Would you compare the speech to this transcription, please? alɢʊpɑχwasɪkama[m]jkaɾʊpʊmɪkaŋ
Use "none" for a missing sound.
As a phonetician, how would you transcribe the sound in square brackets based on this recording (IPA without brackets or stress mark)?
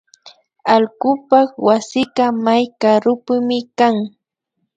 none